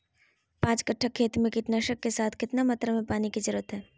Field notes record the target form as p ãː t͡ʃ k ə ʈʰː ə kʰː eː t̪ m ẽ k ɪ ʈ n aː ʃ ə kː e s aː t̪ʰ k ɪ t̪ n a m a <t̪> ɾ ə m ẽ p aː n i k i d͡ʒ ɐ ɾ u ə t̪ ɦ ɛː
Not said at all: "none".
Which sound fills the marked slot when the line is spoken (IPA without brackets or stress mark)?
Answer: t̪